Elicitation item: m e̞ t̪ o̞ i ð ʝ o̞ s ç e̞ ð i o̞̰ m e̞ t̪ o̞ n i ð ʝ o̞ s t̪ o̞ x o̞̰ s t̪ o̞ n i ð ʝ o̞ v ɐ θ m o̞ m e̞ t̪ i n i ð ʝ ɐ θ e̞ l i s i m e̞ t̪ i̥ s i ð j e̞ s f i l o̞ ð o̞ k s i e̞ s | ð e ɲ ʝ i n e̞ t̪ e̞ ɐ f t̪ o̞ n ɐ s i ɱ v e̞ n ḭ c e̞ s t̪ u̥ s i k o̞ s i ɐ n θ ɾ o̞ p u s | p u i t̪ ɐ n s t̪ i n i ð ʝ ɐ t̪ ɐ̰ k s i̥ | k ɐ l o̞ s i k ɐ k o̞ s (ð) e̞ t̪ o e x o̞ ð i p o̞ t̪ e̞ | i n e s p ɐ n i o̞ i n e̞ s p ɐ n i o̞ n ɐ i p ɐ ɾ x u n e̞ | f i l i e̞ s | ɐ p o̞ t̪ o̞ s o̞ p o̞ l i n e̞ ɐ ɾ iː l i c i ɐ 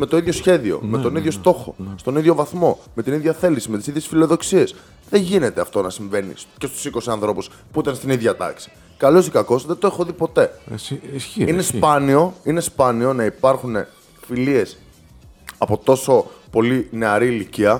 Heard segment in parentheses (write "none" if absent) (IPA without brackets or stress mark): ð